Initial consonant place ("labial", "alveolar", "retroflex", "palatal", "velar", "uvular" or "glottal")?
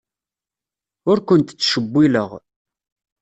alveolar